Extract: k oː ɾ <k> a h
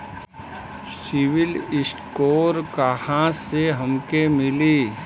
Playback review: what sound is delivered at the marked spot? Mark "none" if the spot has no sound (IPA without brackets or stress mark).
k